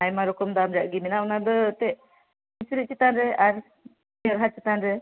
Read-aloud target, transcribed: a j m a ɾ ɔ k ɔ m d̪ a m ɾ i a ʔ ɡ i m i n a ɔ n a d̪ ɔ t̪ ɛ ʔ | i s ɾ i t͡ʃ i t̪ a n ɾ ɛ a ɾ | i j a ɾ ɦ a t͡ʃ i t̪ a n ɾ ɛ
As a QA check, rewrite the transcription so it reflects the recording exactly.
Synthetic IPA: a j m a ɾ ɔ k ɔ m d̪ a m ɾ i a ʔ ɡ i m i n a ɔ n a d̪ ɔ t̪ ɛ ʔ | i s ɾ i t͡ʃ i t̪ a n ɾ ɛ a ɾ | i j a ɾ ɦ a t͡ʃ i t̪ a n ɾ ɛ